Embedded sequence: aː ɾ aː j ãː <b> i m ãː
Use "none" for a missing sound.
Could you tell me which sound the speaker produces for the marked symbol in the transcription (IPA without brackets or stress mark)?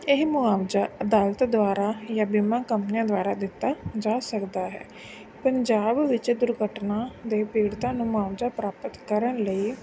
b